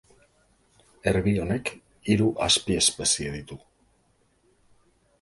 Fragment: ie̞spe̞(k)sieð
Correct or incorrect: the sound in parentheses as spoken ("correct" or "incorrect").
incorrect